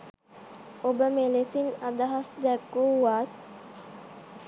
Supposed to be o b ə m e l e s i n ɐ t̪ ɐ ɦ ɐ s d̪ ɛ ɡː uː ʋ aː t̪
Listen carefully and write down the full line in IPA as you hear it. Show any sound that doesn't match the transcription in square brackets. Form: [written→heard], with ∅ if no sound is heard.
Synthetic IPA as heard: o b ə m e l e s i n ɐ [t̪→d̪] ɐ ɦ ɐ s d̪ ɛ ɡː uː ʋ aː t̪